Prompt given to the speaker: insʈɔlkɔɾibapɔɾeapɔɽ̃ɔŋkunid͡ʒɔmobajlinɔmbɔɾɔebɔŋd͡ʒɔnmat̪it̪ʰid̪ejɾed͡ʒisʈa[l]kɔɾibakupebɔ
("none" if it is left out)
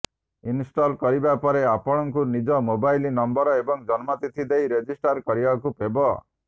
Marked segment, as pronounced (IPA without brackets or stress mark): ɾ